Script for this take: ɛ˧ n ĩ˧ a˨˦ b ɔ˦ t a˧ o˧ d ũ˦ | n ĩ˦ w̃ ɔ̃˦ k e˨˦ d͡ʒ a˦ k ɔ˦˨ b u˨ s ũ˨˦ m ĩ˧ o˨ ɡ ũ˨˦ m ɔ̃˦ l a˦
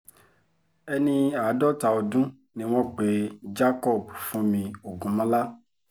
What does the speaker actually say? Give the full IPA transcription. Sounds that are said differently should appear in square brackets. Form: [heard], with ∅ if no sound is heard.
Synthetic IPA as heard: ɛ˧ n ĩ˧ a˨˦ [d] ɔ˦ t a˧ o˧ d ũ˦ | n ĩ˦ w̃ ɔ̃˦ [k͡p] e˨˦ d͡ʒ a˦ k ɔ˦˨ b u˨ [f] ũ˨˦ m ĩ˧ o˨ ɡ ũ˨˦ m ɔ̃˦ l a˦